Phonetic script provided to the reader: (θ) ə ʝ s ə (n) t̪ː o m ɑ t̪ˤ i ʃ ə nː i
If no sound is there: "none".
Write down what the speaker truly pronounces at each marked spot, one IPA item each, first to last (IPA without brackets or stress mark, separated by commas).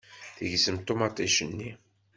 θ, m